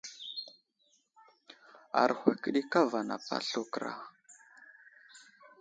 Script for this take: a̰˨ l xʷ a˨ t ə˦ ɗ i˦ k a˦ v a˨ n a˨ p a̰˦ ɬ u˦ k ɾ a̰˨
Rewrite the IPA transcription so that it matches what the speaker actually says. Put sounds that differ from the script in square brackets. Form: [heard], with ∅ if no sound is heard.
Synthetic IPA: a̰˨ [ɾ] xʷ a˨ [k] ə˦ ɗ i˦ k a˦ v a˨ n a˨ p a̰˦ ɬ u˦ k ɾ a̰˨

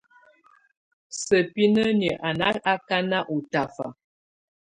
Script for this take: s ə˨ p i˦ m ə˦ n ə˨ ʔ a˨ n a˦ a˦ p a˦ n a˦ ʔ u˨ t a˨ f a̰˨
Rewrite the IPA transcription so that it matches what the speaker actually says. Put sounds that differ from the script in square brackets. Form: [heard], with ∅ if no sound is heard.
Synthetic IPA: s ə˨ p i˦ [n] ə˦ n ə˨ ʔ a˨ n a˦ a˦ [k] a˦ n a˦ ʔ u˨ t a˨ f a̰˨

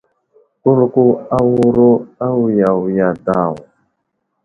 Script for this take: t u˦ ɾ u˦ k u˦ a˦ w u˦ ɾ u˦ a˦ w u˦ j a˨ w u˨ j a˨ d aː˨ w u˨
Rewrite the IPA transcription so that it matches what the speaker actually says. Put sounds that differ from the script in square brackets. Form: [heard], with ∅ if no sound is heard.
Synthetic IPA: [k] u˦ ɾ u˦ k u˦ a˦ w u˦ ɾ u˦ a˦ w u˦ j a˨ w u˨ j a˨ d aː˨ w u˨

